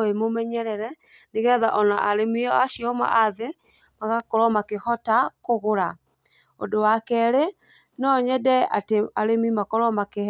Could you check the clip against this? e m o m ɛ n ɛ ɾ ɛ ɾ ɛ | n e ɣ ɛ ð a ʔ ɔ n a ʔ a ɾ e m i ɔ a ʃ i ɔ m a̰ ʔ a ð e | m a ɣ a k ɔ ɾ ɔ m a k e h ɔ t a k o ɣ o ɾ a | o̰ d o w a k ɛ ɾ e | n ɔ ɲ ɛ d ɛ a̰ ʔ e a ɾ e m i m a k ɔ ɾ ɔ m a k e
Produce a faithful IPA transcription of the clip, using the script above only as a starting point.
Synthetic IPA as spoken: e m o m ɛ ɲ ɛ ɾ ɛ ɾ ɛ | n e ɣ ɛ ð a ʔ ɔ n a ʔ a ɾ e m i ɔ a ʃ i ɔ m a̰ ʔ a ð e | m a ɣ a k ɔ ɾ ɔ m a k e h ɔ t a k o ɣ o ɾ a | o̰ d o w a k ɛ ɾ e | n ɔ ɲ ɛ d ɛ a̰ t e a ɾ e m i m a k ɔ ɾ ɔ m a k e

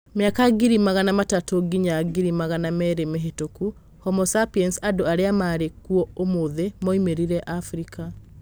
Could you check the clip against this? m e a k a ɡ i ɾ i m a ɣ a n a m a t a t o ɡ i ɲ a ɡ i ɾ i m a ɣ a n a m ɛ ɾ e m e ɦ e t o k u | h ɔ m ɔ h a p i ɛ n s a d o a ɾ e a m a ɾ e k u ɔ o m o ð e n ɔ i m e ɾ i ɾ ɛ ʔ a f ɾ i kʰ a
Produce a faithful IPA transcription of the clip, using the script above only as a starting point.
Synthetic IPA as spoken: m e a k a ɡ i ɾ i m a ɣ a n a m a t a t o ɡ i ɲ a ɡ i ɾ i m a ɣ a n a m ɛ ɾ e m e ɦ e t o k u | h ɔ m ɔ s a p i ɛ n s a d o a ɾ e a m a ɾ e k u ɔ o m o ð e m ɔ i m e ɾ i ɾ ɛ ʔ a f ɾ i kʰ a

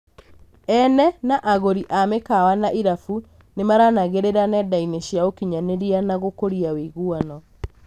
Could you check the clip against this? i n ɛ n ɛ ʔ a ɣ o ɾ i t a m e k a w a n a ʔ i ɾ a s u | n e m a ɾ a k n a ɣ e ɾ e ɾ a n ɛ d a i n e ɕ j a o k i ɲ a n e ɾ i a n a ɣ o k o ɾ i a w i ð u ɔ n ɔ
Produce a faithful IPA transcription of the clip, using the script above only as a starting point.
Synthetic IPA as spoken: ɛ n ɛ n a ʔ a ɣ o ɾ i ʔ a m e k a w a n a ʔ i ɾ a f u | n e m a ɾ a n a ɣ e ɾ e ɾ a n ɛ d a i n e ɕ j a o k i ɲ a n e ɾ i a n a ɣ o k o ɾ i a w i ɣ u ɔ n ɔ

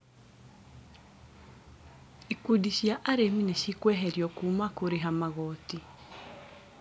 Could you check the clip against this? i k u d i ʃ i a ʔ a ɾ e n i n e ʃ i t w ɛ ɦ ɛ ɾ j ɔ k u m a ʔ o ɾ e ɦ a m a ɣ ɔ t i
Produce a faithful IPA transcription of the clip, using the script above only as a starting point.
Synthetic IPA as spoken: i k u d i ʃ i a ʔ a ɾ e m i n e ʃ i k w ɛ ɦ ɛ ɾ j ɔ k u m a k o ɾ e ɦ a m a ɣ ɔ t i

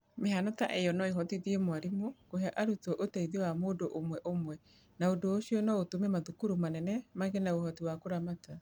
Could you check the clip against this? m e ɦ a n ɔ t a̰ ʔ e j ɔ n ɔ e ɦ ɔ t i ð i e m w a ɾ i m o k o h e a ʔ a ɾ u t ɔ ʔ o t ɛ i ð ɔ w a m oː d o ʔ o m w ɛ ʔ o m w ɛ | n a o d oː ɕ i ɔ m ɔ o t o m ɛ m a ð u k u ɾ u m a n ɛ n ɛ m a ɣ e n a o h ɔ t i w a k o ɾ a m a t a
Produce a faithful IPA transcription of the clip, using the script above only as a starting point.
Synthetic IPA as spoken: m e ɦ a n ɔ t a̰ ʔ e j ɔ n ɔ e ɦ ɔ t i ð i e m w a ɾ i m o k o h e a ʔ a ɾ u t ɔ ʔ o t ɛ i ð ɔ w a m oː d o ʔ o m w ɛ ʔ o m w ɛ | n a o d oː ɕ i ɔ n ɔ o t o m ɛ m a ð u k u ɾ u m a n ɛ n ɛ m a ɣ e n a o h ɔ t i w a k o ɾ a m a t a

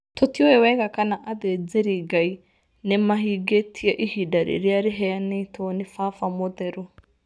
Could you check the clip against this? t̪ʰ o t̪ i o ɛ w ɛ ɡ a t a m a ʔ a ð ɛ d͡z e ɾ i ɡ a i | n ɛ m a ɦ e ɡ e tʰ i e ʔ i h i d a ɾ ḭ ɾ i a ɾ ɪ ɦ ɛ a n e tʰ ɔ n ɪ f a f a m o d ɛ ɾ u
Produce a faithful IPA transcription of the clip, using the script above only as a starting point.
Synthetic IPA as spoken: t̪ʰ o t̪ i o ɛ w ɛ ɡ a k a n a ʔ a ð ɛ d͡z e ɾ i ɡ a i | n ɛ m a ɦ i ɡ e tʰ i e ʔ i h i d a ɾ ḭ ɾ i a ɾ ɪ ɦ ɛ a n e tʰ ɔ n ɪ f a f a m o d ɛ ɾ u

